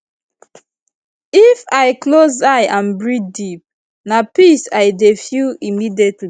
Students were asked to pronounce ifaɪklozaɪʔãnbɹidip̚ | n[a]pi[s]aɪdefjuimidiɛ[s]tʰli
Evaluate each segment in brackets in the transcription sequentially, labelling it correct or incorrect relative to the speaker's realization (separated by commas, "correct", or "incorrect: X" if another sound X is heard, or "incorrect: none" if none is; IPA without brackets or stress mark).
correct, correct, incorrect: none